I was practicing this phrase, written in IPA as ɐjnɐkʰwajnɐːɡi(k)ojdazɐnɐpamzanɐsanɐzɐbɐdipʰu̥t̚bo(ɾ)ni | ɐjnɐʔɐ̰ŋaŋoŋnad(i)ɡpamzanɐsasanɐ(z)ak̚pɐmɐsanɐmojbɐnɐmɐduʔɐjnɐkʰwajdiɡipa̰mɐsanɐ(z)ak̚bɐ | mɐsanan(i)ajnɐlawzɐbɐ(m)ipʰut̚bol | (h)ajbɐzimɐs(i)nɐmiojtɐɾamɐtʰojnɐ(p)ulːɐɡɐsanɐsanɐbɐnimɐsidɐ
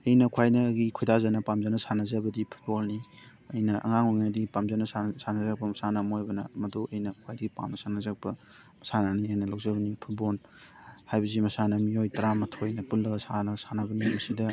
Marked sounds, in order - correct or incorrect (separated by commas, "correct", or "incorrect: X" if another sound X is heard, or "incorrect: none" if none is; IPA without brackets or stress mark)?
incorrect: kʰ, incorrect: l, correct, correct, correct, correct, incorrect: n, correct, incorrect: a, correct